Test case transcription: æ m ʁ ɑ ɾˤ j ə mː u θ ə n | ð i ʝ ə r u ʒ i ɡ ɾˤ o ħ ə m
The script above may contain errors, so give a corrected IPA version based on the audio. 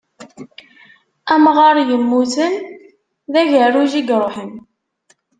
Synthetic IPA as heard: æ m ʁ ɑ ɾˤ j ə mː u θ ə n | ð æ ʝ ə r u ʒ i ɡ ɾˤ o ħ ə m